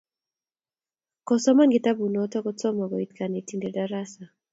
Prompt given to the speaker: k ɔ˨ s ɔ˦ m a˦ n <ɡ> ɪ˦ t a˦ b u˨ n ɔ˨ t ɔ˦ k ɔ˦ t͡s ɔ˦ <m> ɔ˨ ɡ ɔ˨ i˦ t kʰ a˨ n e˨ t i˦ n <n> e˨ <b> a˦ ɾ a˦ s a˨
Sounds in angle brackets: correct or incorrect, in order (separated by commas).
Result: correct, correct, incorrect, incorrect